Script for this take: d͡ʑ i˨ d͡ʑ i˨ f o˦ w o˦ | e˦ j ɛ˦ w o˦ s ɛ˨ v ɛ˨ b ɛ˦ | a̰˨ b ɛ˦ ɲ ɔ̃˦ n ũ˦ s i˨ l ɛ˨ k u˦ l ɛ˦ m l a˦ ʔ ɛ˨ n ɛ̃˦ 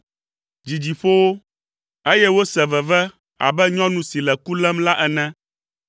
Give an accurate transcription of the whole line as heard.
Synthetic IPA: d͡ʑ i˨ d͡ʑ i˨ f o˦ w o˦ | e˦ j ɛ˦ w o˦ s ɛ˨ v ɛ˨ v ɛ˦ | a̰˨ b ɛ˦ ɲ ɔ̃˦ n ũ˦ s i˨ l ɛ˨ k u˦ l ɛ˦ m l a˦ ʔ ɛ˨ n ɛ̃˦